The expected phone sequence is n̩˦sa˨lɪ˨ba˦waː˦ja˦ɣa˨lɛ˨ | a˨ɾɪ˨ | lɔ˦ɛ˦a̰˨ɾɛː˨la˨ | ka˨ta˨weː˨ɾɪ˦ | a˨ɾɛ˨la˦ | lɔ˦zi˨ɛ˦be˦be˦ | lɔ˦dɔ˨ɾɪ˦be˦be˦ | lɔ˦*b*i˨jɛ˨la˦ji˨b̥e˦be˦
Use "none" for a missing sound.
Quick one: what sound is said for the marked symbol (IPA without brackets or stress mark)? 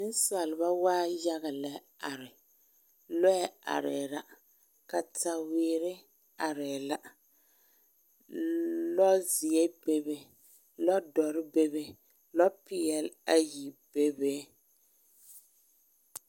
p